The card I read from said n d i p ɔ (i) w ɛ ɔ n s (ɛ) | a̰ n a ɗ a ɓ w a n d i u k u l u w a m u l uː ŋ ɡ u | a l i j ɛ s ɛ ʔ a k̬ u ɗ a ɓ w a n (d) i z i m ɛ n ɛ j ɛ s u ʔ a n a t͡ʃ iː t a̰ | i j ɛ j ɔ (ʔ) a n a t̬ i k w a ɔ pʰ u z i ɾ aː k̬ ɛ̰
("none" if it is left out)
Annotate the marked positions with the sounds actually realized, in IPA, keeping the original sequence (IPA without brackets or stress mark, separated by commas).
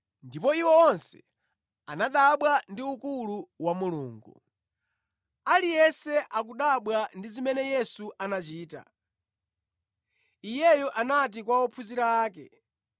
i, ɛ, d, ʔ